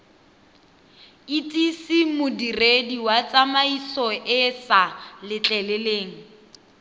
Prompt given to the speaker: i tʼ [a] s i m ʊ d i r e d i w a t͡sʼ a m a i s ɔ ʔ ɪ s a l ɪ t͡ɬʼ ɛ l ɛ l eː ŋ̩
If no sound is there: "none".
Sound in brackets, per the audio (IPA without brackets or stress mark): i